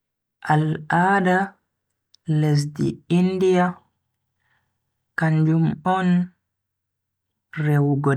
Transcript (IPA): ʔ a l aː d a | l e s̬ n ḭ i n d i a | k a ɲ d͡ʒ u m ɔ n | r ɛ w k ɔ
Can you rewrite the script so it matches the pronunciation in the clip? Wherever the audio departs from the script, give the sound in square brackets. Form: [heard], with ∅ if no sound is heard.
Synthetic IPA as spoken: ʔ a l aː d a | l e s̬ [d] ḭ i n d i a | k a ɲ d͡ʒ u m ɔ n | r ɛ w [ɡ] ɔ